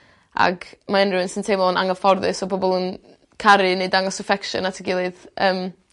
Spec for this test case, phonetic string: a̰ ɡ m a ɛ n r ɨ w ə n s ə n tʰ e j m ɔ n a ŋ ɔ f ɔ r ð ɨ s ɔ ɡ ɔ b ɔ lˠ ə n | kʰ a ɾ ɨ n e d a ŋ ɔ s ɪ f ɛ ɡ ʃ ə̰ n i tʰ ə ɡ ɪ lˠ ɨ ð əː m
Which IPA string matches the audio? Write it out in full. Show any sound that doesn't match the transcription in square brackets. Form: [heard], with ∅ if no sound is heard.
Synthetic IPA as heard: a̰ ɡ m a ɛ n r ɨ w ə n s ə n tʰ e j m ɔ n a ŋ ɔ f ɔ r ð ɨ s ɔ [b] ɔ b ɔ lˠ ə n | kʰ a ɾ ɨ n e d a ŋ ɔ s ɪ f ɛ [k] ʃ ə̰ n [a] tʰ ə ɡ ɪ lˠ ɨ ð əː m